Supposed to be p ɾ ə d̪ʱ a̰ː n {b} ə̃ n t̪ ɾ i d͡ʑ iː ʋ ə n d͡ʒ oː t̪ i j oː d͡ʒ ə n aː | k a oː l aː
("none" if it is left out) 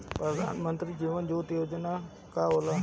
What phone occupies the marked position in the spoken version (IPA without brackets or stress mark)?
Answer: m